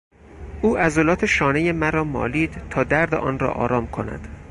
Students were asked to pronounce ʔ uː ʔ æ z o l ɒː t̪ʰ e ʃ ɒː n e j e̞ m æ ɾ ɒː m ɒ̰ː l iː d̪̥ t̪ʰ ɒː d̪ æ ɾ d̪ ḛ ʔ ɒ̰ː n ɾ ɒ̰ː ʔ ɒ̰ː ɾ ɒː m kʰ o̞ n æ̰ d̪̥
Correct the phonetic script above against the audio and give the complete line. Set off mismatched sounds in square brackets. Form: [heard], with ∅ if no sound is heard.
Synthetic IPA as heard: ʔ uː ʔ æ z o l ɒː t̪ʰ e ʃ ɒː n e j e̞ m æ ɾ ɒː m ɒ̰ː l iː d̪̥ t̪ʰ ɒː d̪ æ ɾ d̪ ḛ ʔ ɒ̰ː n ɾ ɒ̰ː ʔ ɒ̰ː ɾ ɒː m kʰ o̞ n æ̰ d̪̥